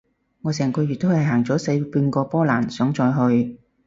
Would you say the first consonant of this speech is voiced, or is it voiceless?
voiced